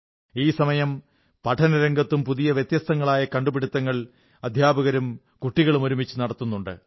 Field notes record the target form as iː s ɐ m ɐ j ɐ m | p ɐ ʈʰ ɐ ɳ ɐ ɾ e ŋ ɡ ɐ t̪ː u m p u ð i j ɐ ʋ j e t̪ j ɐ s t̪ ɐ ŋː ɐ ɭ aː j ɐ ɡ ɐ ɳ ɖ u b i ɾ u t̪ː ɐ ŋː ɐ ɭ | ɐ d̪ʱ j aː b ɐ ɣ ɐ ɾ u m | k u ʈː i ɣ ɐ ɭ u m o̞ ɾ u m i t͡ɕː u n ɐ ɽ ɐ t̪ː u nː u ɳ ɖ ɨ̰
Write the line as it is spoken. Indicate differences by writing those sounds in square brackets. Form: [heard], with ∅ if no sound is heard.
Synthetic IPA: iː s ɐ m ɐ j ɐ m | p ɐ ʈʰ ɐ [n] ɐ ɾ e ŋ ɡ ɐ t̪ː u m p u ð i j ɐ ʋ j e t̪ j ɐ s t̪ ɐ ŋː ɐ ɭ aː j ɐ [k] ɐ ɳ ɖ u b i [ɽ] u t̪ː ɐ ŋː ɐ ɭ | ɐ d̪ʱ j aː b ɐ ɣ ɐ ɾ u m | k u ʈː i ɣ ɐ ɭ u m o̞ ɾ u m i t͡ɕː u n ɐ ɽ ɐ t̪ː u nː u ɳ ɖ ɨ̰